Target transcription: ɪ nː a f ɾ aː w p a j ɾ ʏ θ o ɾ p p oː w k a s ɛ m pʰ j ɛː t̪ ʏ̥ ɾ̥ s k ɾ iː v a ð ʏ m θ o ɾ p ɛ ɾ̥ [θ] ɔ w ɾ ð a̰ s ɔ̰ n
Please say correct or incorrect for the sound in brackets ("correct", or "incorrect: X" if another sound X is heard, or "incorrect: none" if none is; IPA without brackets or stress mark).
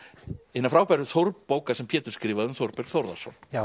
correct